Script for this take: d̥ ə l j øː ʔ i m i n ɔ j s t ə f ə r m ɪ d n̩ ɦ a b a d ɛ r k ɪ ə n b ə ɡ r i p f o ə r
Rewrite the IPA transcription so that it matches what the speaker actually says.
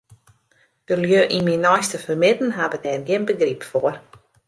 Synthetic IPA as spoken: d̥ ə l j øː ʔ i m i n ɔ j s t ə f ə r m ɪ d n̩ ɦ a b ə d ɛ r ɡ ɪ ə n b ə ɡ r i p f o ə r